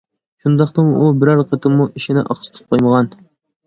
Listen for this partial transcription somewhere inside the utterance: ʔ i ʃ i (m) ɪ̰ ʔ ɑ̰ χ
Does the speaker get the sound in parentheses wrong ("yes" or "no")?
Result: yes